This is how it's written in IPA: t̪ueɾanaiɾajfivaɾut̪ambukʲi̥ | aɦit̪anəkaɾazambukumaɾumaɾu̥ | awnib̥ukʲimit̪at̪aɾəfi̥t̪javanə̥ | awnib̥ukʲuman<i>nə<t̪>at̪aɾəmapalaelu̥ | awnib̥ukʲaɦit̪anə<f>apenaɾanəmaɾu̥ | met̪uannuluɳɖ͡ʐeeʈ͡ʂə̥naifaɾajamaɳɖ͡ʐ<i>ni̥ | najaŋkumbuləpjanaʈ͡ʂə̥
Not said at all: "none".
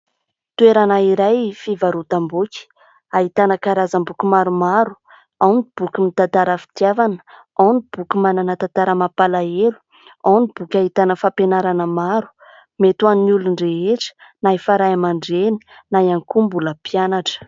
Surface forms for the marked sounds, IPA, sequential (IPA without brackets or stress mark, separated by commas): a, t̪, f, e